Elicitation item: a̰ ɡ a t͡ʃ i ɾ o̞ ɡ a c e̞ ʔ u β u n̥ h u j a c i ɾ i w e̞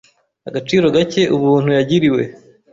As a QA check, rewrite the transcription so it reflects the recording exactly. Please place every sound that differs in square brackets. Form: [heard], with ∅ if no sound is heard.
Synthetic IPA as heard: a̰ ɡ a t͡ʃ [iː] ɾ o̞ ɡ a c e̞ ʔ u β [uː] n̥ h u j a [ɟ] i ɾ i w e̞